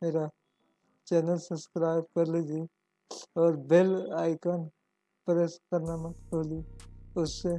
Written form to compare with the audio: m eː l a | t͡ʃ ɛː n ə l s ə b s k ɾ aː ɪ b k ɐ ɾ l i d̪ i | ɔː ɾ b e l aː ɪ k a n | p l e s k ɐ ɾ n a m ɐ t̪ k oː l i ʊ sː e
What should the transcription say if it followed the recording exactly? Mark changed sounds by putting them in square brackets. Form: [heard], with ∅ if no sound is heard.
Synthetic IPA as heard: m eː [ɾ] a | t͡ʃ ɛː n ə l s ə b s k ɾ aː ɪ b k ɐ ɾ l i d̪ i | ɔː ɾ b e l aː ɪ k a n | p [ɾ] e s k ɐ ɾ n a m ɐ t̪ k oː l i ʊ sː e